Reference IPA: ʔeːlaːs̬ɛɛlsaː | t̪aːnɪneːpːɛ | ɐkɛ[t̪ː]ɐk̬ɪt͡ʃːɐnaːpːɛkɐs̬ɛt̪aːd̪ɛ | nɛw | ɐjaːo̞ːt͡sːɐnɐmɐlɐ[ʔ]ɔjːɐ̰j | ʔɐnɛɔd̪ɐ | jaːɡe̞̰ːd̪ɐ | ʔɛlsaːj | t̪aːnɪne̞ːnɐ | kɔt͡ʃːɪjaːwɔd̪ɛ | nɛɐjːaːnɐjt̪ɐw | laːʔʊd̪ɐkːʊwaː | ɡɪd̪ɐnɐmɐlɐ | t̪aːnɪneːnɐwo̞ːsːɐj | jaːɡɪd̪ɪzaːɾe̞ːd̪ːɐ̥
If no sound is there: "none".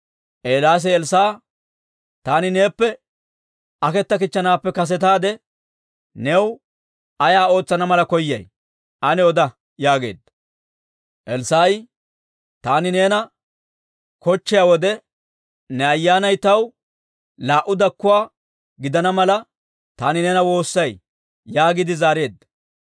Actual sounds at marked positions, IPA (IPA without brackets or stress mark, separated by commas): t̪ː, k